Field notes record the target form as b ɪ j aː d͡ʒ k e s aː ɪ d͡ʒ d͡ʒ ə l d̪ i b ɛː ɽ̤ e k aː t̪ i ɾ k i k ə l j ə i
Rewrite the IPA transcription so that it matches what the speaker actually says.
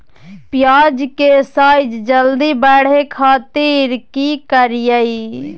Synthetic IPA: p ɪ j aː d͡ʒ k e s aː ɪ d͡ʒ d͡ʒ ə l d̪ i b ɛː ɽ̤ e kʰ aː t̪ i ɾ k i k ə ɾ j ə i